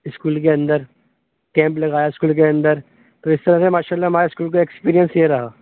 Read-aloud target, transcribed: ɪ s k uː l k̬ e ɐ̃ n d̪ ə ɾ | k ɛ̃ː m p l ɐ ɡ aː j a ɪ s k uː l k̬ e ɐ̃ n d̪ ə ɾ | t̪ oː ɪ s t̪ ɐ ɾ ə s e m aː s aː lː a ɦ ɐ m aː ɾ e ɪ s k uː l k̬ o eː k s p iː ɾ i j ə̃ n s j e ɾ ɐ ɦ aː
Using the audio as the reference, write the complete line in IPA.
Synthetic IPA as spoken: ɪ s k uː l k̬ e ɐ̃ n d̪ ə ɾ | k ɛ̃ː m p l ɐ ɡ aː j a ɪ s k uː l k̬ e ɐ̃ n d̪ ə ɾ | t̪ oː ɪ s t̪ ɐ ɾ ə s e m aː ʃ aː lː a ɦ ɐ m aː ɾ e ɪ s k uː l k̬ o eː k s p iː ɾ i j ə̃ n s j e ɾ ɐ ɦ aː